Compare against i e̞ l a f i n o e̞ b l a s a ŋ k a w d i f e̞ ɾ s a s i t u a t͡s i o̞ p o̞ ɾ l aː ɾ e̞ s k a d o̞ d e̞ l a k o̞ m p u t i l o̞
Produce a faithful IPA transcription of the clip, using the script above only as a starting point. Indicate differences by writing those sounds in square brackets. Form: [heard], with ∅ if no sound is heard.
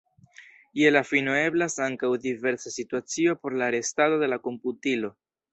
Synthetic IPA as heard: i e̞ l a f i n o e̞ b l a s a ŋ k a w d i [v] e̞ ɾ s a s i t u a t͡s i o̞ p o̞ ɾ l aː ɾ e̞ s [t] a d o̞ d e̞ l a k o̞ m p u t i l o̞